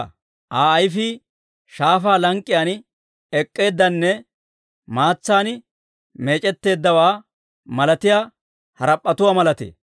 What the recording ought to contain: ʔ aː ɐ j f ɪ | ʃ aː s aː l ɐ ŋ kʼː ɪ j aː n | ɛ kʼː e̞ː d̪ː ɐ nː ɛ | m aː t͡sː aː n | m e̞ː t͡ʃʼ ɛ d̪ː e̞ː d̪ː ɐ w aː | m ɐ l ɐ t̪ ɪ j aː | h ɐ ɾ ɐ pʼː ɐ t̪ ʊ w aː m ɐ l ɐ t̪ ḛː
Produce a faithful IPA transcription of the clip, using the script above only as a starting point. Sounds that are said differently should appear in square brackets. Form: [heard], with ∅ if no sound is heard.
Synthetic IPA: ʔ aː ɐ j f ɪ | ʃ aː [f] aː l ɐ ŋ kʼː ɪ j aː n | ɛ kʼː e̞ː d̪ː ɐ nː ɛ | m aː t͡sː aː n | m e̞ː t͡ʃʼ ɛ [t̪ː] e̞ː d̪ː ɐ w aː | m ɐ l ɐ t̪ ɪ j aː | h ɐ ɾ ɐ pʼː ɐ t̪ ʊ w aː m ɐ l ɐ t̪ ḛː